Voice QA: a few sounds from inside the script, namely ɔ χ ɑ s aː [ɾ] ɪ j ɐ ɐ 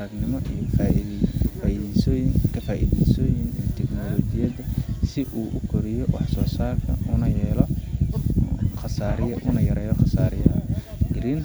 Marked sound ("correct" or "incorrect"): correct